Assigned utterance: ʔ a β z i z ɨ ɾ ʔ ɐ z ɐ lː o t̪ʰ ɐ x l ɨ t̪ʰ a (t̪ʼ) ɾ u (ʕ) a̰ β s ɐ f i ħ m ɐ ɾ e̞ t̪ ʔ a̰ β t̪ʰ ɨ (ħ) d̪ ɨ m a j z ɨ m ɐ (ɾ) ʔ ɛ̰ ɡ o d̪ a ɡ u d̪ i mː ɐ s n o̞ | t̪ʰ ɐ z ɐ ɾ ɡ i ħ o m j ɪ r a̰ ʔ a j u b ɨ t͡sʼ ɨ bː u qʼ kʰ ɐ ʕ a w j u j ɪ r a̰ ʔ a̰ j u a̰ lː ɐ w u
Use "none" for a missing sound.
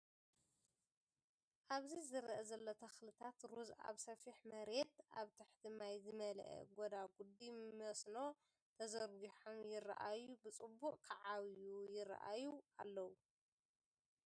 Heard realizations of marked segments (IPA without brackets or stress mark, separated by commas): t̪, z, ħ, l